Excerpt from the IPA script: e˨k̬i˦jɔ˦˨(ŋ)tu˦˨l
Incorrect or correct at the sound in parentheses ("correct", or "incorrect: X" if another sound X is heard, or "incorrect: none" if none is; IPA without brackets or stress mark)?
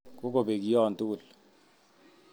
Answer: incorrect: n